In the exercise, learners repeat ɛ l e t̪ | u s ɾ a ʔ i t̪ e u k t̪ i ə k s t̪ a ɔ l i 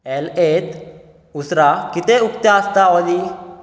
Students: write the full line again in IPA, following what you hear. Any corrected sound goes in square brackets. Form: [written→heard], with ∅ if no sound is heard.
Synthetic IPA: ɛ l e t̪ | u s ɾ a [ʔ→k] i t̪ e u k t̪ [i→a] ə [k→∅] s t̪ a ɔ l i